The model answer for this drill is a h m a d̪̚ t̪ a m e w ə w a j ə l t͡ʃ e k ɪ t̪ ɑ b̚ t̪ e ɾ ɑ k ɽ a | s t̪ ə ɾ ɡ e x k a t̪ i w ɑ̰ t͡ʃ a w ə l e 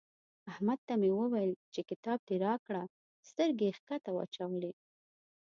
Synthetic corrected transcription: a h m a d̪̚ t̪ a m e w ə w a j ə l t͡ʃ e k ɪ t̪ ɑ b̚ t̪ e ɾ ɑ k ɽ a | s t̪ ə ɾ ɡ e x k a t̪ a w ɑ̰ t͡ʃ a w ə l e